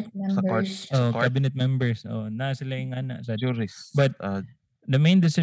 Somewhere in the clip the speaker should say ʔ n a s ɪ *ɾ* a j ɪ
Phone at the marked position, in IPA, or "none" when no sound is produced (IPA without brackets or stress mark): l